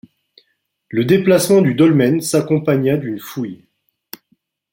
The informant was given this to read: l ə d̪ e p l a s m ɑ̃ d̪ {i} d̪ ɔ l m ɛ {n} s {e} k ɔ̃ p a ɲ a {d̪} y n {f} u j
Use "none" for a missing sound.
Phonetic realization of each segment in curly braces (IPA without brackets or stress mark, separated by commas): y, n, a, d̪, f